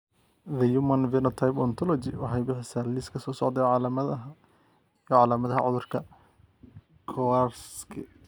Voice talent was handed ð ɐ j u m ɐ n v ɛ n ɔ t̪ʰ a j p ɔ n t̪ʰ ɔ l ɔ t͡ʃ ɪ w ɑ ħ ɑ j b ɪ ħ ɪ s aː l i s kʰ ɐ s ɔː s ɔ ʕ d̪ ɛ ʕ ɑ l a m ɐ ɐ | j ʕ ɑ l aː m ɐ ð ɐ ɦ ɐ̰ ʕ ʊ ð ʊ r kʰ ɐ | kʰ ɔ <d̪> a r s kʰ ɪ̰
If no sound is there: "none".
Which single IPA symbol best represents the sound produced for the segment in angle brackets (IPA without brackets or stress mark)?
none